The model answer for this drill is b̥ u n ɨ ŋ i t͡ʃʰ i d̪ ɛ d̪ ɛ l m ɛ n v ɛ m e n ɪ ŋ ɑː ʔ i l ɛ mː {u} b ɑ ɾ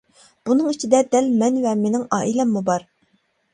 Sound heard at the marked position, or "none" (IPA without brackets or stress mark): u